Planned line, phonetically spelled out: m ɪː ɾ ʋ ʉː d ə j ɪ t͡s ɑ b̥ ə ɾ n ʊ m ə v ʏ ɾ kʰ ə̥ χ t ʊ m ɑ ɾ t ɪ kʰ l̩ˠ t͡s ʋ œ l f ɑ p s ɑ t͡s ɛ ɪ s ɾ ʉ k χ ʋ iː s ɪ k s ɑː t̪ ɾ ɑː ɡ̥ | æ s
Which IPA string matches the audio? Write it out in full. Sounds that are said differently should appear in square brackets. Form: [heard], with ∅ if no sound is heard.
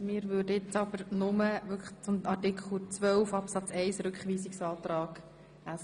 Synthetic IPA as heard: m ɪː ɾ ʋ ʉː d ə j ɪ t͡s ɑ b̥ ə ɾ n ʊ m ə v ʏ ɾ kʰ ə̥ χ [t͡s] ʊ m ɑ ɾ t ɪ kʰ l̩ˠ t͡s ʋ œ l f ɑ p s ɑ t͡s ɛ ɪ s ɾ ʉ k χ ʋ iː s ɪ k s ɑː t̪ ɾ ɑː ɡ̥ | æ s